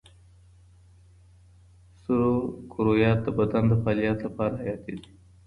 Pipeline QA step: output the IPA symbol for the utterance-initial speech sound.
s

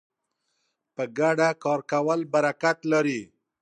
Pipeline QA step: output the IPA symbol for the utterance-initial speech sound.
p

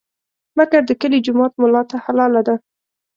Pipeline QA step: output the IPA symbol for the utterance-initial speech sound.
m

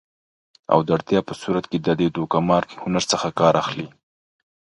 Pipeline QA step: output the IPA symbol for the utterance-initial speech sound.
a̰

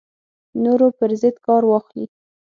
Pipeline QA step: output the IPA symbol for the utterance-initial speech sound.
n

